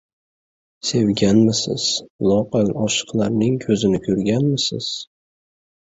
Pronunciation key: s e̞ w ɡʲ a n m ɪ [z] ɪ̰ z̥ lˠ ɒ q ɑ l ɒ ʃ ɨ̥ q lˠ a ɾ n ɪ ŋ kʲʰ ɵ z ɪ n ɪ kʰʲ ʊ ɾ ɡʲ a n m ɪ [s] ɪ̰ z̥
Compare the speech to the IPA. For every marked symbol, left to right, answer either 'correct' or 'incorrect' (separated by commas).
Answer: incorrect, correct